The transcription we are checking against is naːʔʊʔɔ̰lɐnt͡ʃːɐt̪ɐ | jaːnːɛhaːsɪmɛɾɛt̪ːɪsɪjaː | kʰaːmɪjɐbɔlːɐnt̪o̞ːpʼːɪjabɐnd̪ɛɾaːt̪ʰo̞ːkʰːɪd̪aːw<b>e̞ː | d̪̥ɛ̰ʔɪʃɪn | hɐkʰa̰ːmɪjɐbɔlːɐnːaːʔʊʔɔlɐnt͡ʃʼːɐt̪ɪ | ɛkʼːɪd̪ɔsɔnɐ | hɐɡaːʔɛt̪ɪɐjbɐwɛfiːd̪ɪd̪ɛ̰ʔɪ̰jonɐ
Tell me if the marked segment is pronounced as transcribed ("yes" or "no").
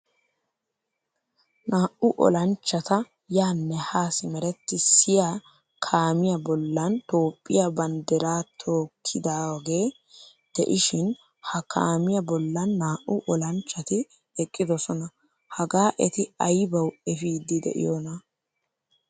no